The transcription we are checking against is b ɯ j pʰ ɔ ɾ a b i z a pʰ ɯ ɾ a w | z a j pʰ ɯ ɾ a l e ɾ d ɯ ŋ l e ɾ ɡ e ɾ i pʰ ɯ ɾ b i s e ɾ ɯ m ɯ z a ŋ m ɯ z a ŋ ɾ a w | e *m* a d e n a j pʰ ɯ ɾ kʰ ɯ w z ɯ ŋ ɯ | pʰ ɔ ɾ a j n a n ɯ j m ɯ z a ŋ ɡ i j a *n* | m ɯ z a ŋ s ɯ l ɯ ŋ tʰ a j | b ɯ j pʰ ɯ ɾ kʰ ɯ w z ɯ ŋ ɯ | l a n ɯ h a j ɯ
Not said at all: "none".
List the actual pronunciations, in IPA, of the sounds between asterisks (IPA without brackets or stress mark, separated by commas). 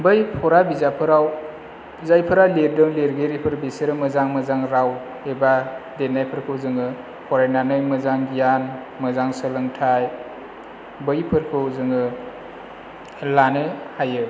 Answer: b, n